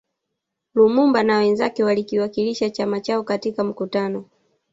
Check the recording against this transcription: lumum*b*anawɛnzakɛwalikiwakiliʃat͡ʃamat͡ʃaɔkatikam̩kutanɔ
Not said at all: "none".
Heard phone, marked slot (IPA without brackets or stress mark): b